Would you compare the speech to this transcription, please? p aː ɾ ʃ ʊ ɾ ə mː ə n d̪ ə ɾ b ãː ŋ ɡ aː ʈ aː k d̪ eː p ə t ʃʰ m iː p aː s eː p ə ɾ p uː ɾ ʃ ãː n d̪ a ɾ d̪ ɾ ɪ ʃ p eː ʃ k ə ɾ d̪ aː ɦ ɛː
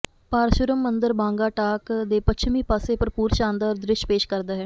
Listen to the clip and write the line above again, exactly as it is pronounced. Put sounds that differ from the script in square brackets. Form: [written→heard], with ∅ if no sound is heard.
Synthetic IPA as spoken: p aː ɾ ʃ ʊ ɾ ə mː ə n d̪ ə ɾ b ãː ŋ ɡ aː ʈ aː k d̪ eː p ə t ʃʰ m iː p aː s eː p ə ɾ p uː ɾ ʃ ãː n d̪ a ɾ d̪ ɾ ɪ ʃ p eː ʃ k ə ɾ d̪ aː ɦ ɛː